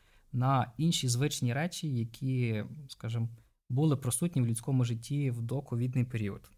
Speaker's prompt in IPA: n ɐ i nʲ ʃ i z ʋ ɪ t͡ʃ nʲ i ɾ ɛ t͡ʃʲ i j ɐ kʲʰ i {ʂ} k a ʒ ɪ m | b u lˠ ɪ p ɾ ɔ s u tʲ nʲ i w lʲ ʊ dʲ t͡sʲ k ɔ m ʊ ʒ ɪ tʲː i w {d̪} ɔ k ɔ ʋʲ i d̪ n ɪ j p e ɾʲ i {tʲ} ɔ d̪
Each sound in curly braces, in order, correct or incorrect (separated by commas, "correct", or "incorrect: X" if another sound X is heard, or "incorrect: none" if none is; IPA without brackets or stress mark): incorrect: s, correct, incorrect: none